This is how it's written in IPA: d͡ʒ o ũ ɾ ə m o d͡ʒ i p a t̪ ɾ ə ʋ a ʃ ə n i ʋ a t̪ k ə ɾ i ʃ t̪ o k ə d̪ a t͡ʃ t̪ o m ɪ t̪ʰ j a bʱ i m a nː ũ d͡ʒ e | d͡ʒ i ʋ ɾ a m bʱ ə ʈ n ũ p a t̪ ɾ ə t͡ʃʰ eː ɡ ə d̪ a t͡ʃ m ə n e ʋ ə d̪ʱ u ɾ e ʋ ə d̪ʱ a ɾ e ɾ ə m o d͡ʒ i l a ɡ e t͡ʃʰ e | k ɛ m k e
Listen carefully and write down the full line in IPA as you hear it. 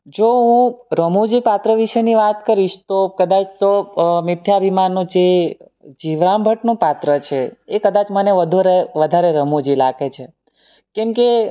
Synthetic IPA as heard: d͡ʒ o ũ ɾ ə m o d͡ʒ i p a t̪ ɾ ə ʋ i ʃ ə n i ʋ a t̪ k ə ɾ i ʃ t̪ o k ə d̪ a t͡ʃ t̪ o m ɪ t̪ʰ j a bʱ i m a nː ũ d͡ʒ e | d͡ʒ i ʋ ɾ a m bʱ ə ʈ n ũ p a t̪ ɾ ə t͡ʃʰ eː k ə d̪ a t͡ʃ m ə n e ʋ ə d̪ʱ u ɾ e ʋ ə d̪ʱ a ɾ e ɾ ə m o d͡ʒ i l a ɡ e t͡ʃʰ e | k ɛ m k e